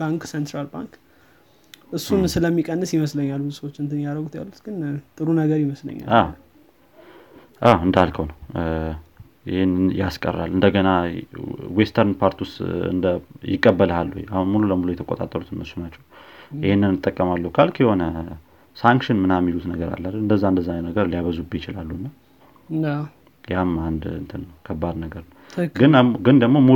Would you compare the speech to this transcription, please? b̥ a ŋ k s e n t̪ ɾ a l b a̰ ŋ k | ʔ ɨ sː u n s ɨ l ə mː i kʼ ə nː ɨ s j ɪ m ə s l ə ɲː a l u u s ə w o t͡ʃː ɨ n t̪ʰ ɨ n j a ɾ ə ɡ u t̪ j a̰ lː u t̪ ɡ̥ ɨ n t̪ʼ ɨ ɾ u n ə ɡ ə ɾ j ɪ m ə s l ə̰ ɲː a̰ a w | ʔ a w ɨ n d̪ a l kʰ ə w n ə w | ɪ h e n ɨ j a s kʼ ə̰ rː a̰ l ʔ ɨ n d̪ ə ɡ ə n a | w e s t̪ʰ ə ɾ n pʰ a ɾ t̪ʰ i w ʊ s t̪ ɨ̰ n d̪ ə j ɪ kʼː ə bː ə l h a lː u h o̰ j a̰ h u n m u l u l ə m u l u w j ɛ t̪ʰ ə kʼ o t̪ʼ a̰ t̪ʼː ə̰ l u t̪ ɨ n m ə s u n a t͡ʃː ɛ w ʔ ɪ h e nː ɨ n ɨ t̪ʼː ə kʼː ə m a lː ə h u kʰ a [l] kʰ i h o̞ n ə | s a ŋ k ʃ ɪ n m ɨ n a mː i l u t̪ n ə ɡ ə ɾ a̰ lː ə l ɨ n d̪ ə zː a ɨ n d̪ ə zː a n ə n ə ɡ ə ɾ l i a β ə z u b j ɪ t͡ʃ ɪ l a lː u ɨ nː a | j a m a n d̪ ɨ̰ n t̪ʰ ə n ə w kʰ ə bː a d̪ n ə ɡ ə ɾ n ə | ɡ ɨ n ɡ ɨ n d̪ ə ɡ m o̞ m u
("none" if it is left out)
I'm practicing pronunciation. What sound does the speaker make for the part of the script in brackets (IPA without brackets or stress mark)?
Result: l